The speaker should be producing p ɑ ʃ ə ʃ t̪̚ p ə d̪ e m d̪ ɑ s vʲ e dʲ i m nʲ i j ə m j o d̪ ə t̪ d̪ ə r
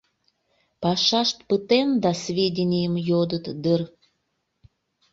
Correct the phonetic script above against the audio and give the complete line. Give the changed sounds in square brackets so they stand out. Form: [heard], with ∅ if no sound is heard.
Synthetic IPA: p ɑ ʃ [ɑ] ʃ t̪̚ p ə [t̪] e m d̪ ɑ s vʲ e dʲ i [∅] nʲ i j ə m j o d̪ ə t̪ d̪ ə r